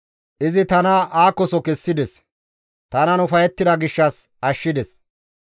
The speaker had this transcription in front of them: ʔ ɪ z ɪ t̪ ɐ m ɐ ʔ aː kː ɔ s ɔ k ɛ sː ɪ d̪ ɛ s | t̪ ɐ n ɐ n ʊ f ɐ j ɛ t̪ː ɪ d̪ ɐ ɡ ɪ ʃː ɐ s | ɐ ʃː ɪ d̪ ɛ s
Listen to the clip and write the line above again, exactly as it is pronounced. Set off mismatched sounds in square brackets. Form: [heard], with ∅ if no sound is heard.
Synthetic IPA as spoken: ʔ ɪ z ɪ t̪ ɐ [n] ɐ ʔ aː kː ɔ s ɔ k ɛ sː ɪ d̪ ɛ s | t̪ ɐ n ɐ n ʊ f ɐ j ɛ t̪ː ɪ d̪ ɐ ɡ ɪ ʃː ɐ s | ɐ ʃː ɪ d̪ ɛ s